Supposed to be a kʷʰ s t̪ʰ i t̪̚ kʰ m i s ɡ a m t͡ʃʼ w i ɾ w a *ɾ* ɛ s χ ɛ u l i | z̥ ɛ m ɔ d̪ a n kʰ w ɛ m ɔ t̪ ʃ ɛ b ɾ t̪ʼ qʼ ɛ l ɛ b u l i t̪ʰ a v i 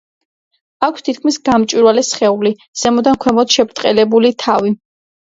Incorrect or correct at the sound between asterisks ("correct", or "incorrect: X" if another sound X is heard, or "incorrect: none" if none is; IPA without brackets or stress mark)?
incorrect: l